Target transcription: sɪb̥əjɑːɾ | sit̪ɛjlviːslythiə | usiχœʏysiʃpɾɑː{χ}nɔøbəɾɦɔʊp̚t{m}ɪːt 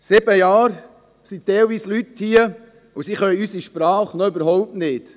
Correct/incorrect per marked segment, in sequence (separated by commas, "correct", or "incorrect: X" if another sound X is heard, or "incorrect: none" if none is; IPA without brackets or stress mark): correct, incorrect: n